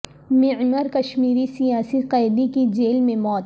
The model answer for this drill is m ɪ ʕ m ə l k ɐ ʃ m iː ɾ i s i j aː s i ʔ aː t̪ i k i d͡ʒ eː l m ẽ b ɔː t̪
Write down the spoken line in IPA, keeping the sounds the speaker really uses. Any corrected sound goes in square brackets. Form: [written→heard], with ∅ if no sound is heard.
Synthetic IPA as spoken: m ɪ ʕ m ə [l→ɾ] k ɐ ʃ m iː ɾ i s i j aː s i [ʔ→q] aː [t̪→d̪] i k i d͡ʒ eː l m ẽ [b→m] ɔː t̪